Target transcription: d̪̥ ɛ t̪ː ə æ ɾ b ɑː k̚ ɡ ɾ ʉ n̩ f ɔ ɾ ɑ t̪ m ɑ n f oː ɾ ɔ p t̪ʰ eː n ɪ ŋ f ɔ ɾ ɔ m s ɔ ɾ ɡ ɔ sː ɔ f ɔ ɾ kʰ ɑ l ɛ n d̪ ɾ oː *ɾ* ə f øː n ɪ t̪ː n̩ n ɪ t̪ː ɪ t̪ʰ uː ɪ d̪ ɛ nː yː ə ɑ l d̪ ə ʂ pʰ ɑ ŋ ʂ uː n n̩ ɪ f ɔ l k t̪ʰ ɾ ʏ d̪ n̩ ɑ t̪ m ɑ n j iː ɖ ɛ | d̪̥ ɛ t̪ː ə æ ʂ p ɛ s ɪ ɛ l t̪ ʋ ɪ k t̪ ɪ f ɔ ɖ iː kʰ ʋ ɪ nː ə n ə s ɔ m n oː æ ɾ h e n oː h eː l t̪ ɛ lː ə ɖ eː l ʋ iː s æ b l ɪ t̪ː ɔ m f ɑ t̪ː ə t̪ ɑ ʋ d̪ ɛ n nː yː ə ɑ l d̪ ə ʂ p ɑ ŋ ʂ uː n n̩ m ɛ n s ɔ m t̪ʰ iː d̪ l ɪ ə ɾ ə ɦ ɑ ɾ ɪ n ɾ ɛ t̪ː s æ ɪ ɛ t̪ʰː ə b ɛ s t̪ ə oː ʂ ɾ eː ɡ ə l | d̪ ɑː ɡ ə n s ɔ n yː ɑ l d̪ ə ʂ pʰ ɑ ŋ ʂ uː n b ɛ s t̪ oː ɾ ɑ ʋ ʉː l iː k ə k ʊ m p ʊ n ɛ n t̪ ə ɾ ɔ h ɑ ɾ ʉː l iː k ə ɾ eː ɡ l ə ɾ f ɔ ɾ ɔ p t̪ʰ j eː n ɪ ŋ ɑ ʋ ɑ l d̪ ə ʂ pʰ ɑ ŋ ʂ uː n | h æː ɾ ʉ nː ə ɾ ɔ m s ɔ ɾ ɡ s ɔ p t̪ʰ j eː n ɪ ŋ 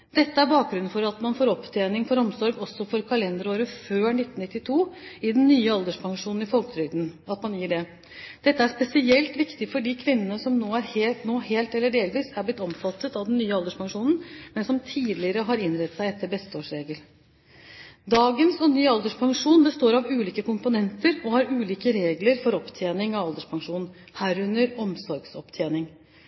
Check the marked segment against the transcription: correct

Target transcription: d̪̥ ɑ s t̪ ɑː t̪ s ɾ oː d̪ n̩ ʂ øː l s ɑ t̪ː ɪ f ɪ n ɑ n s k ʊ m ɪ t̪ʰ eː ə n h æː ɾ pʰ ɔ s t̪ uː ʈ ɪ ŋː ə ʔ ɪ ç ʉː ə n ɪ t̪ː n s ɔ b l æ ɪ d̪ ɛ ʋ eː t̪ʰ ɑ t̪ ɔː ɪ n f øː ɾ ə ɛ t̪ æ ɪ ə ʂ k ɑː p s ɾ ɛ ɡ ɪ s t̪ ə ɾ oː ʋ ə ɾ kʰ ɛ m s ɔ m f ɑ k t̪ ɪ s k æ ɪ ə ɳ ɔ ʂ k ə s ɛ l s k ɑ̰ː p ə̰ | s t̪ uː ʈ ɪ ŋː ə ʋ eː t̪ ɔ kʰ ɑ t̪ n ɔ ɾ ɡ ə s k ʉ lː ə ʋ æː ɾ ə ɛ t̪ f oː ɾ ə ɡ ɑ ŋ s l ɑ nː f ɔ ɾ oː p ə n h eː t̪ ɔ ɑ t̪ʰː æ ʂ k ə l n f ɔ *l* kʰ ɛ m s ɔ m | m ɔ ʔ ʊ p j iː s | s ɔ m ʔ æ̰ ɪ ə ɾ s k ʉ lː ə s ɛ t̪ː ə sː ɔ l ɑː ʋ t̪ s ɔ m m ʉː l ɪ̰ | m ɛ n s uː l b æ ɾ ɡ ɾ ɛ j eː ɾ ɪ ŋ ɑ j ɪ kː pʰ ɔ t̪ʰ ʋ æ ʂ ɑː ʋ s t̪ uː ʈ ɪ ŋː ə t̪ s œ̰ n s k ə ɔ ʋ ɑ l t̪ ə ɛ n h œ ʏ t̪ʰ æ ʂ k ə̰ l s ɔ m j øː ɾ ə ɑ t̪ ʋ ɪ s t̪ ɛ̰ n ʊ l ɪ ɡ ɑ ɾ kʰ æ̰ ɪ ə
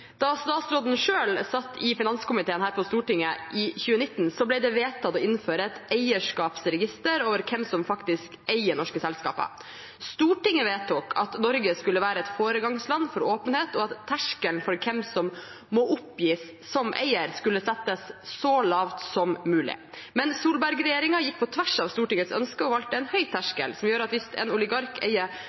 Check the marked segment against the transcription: incorrect: ɾ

